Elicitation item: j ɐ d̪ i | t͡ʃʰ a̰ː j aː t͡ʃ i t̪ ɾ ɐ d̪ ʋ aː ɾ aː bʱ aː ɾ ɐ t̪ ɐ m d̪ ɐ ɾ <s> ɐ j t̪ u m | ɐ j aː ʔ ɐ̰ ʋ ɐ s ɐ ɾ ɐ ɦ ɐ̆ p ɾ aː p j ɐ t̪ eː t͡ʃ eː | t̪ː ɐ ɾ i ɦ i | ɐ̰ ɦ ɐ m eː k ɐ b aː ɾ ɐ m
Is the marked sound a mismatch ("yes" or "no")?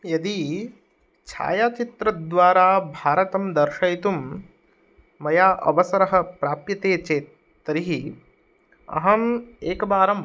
yes